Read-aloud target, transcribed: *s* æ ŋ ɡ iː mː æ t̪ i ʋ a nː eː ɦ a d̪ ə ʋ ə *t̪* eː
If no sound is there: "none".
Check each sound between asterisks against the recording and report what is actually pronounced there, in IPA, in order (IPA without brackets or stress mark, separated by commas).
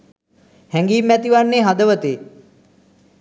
h, t̪